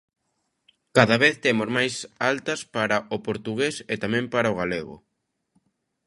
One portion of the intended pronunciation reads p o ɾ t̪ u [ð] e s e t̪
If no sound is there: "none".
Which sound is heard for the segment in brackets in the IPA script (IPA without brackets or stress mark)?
ɣ